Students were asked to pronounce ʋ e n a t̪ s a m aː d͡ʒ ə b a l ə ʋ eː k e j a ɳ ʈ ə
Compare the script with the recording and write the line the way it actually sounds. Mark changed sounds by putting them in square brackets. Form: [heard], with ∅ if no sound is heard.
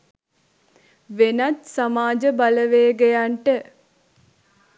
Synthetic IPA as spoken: ʋ e n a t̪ s a m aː d͡ʒ ə b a l ə ʋ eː [ɡ] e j a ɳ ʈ ə

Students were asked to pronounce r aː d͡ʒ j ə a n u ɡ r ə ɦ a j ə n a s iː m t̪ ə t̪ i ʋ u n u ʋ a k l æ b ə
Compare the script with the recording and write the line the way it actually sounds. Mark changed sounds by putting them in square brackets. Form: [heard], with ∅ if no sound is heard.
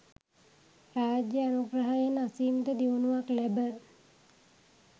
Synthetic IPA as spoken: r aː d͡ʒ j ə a n u ɡ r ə ɦ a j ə n a s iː m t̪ ə [d̪] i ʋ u n u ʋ a k l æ b ə

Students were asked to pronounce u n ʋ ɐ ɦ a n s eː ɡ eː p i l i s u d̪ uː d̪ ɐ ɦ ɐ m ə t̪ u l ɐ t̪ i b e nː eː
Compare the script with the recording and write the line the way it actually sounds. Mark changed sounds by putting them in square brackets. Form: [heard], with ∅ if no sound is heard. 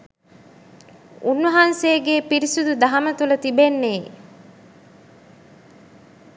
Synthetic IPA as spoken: u n ʋ ɐ ɦ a n s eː ɡ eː p i [ɾ] i s u d̪ [u] d̪ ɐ ɦ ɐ m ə t̪ u l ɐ t̪ i b e nː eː

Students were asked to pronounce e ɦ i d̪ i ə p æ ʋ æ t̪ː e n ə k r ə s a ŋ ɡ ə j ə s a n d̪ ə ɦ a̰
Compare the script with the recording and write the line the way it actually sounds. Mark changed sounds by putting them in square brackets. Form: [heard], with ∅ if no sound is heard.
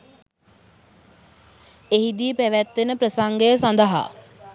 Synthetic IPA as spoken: e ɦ i d̪ i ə p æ ʋ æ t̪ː e n ə [p] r ə s a ŋ ɡ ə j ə s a n d̪ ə ɦ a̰

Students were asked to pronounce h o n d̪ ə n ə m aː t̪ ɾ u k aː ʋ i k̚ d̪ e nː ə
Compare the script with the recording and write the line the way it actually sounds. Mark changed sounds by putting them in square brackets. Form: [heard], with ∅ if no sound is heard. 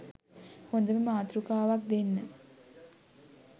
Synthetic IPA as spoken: h o n d̪ ə [m] ə m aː t̪ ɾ u k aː ʋ [a] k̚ d̪ e nː ə

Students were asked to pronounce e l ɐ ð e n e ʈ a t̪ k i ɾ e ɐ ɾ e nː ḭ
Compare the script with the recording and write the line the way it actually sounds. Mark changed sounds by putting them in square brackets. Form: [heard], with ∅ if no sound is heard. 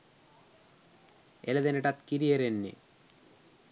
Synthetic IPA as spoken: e l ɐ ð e n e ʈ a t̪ k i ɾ [i] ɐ ɾ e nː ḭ

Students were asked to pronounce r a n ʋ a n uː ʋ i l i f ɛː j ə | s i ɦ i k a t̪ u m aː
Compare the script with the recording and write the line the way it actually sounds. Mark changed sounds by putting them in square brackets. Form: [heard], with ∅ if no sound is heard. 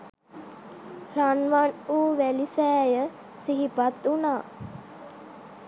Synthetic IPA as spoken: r a n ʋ a n uː ʋ [æ] l i [s] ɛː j ə | s i ɦ i [p] a t̪ u [n] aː

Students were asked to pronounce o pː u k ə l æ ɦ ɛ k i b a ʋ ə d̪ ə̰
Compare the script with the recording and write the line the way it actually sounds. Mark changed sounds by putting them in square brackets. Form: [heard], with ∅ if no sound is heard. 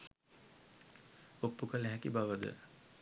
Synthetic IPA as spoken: o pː u k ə l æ ɦ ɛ k i b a ʋ ə d̪ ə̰

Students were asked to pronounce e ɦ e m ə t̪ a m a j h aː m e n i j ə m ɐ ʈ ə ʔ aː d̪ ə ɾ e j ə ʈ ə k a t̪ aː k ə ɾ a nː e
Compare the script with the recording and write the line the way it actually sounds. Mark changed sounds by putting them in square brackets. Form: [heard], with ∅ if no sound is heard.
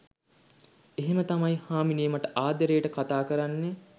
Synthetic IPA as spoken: e ɦ e m ə t̪ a m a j h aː m [i] n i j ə m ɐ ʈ ə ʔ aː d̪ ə ɾ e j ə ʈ ə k a t̪ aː k ə ɾ a nː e

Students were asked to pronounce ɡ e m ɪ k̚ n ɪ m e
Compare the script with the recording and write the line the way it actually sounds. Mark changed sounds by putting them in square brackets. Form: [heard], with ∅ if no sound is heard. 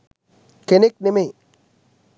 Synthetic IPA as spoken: [k] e [n] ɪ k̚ n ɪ m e

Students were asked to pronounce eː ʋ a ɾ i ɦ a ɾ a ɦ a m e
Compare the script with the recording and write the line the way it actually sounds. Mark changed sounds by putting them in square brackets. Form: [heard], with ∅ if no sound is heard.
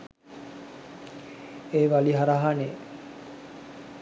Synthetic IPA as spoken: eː ʋ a [l] i ɦ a ɾ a ɦ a [n] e

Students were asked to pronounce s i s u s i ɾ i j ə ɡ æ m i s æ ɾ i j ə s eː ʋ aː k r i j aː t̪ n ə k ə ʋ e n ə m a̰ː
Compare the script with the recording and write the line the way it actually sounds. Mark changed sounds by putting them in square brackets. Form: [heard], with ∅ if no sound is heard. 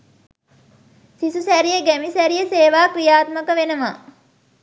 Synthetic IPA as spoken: s i s u s [æ] ɾ i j ə ɡ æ m i s æ ɾ i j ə s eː ʋ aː k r i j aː t̪ [m] ə k ə ʋ e n ə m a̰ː

